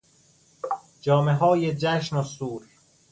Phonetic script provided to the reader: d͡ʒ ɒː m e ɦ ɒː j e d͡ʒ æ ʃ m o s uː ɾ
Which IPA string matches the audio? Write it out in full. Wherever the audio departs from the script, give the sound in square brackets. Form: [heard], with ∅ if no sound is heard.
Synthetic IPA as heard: d͡ʒ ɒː m e ɦ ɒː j e d͡ʒ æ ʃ [n] o s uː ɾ